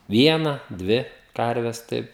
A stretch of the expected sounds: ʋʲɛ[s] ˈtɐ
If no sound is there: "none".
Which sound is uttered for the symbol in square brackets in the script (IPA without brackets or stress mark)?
s